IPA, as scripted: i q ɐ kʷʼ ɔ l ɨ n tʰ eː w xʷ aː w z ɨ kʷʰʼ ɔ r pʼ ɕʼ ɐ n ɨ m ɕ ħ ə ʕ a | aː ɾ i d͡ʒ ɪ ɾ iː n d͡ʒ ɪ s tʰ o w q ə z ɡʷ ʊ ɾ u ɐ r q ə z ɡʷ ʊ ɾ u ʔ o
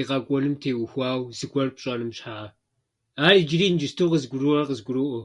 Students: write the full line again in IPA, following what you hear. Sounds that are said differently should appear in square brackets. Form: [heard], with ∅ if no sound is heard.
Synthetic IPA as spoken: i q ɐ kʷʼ ɔ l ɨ [m] tʰ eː w xʷ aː w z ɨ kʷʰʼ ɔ r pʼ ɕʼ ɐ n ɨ m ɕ ħ [a] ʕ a | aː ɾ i d͡ʒ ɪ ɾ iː n d͡ʒ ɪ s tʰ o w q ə z ɡʷ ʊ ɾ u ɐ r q ə z ɡʷ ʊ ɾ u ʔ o